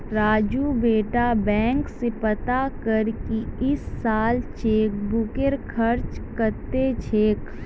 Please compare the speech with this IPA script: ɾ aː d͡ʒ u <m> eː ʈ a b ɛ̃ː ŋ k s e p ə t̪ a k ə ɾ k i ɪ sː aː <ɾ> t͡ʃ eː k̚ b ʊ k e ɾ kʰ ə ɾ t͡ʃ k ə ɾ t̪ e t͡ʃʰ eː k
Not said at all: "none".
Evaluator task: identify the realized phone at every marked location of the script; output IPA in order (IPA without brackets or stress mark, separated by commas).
b, l